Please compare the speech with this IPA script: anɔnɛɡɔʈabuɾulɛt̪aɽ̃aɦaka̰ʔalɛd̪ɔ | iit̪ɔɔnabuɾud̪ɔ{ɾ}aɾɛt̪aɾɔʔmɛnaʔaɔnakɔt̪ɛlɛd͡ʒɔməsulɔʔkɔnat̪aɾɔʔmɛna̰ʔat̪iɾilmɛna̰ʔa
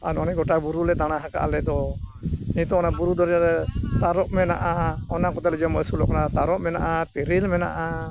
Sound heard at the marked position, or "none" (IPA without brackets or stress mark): ɾ